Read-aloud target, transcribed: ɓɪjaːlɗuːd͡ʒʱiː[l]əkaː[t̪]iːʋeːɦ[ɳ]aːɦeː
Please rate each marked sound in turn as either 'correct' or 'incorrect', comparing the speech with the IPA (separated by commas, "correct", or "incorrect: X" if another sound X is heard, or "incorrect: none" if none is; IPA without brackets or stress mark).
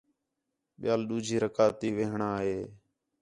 incorrect: ɾ, correct, correct